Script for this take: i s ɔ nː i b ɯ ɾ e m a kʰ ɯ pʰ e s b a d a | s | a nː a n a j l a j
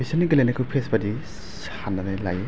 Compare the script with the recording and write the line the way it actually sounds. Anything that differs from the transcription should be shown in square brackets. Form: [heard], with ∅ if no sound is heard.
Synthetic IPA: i s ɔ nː i [ɡ] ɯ [l] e [n] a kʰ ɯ pʰ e s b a d [i] | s | a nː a n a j l a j